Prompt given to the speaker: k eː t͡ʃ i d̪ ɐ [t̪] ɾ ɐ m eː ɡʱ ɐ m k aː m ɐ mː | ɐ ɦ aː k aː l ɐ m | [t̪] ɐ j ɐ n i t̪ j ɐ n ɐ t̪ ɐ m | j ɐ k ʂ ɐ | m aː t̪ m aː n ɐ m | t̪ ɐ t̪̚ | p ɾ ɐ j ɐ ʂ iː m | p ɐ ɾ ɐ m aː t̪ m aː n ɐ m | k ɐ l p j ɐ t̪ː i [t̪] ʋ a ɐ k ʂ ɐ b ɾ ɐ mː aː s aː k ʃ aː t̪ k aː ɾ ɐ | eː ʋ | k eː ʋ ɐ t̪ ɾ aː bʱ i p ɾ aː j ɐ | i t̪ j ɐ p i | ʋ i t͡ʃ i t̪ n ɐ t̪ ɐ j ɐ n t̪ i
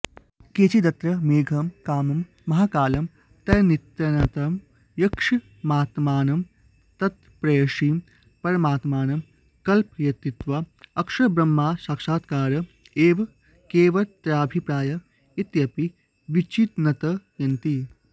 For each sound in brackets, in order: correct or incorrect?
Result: correct, correct, correct

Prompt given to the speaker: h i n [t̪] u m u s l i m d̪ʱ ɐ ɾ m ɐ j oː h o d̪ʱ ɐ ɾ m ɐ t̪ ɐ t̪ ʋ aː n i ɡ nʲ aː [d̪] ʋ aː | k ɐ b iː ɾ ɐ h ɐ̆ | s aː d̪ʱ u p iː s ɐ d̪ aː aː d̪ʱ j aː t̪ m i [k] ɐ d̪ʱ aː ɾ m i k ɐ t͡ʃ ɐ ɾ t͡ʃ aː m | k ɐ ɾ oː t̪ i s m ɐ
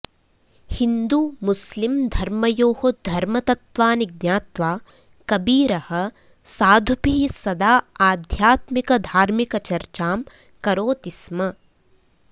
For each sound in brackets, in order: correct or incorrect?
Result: incorrect: d̪, incorrect: t̪, correct

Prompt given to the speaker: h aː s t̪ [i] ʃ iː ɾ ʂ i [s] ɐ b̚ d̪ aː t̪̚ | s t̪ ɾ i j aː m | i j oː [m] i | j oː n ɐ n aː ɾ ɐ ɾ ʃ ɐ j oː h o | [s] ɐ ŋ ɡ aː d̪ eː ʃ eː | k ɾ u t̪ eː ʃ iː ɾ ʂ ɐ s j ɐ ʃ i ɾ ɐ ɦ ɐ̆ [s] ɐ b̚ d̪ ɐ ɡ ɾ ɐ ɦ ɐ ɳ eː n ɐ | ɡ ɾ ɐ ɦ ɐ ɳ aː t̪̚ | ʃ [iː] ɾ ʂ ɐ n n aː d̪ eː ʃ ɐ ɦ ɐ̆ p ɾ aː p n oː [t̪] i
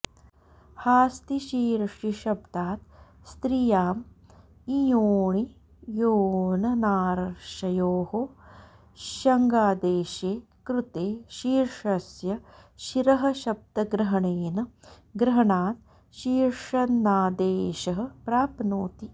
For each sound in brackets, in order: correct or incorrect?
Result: correct, incorrect: ʃ, incorrect: ɳ, incorrect: ʃ, incorrect: ʃ, correct, correct

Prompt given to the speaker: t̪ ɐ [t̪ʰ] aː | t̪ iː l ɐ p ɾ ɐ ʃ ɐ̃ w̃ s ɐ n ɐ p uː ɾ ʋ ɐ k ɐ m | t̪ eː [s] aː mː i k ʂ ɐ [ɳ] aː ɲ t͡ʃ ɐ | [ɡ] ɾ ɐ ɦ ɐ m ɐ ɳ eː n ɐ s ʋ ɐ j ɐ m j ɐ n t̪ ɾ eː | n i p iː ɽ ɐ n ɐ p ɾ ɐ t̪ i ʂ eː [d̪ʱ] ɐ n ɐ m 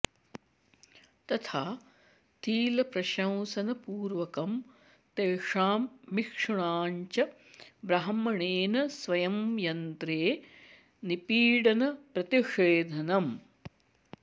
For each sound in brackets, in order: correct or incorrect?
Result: correct, incorrect: ʂ, correct, incorrect: b, correct

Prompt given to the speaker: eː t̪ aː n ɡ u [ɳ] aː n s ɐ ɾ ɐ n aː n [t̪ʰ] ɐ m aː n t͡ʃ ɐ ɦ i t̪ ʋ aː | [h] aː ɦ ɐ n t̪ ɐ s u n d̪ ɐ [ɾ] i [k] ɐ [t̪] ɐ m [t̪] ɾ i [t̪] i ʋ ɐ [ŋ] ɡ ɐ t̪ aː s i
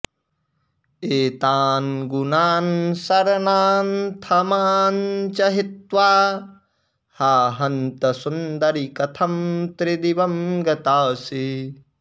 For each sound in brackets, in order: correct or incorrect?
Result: incorrect: n, correct, correct, correct, correct, incorrect: t̪ʰ, correct, incorrect: d̪, incorrect: m

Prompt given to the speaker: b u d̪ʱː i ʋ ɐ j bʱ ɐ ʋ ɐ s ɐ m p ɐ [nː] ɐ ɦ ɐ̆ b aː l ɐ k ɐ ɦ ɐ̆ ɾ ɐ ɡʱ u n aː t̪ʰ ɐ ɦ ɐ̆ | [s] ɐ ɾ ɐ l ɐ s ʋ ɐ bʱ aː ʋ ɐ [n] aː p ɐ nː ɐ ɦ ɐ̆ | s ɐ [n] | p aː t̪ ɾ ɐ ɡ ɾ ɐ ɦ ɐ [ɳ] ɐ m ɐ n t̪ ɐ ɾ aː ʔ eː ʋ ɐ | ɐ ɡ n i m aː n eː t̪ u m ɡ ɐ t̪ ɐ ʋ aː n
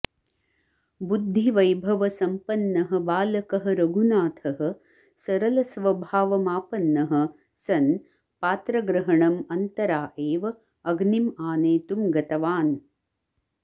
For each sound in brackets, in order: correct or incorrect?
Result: correct, correct, incorrect: m, correct, correct

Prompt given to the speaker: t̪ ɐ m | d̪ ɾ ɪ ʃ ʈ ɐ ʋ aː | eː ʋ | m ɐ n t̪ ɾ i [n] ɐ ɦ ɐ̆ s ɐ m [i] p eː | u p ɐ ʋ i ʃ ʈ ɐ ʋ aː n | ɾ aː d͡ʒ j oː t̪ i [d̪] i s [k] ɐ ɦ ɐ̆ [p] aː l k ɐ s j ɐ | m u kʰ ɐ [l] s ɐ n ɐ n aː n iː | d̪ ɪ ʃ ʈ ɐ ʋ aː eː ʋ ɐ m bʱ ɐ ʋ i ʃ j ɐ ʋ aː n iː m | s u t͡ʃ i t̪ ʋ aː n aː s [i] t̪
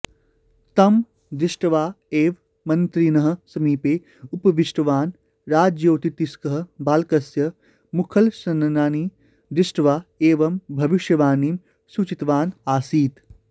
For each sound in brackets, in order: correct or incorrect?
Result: correct, incorrect: iː, incorrect: t̪, correct, incorrect: b, correct, incorrect: iː

